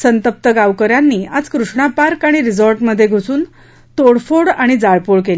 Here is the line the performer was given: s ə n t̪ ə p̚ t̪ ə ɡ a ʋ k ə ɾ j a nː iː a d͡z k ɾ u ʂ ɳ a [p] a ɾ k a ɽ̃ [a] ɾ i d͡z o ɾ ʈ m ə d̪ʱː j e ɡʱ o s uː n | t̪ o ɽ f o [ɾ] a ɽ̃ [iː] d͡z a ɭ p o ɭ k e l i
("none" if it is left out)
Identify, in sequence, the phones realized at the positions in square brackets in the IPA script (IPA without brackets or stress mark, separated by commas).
p, i, ɽ, i